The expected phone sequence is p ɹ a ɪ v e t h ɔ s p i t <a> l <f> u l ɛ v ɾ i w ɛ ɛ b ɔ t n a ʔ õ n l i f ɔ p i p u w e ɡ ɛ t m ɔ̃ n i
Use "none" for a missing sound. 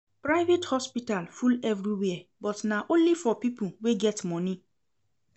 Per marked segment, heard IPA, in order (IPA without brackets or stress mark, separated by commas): a, f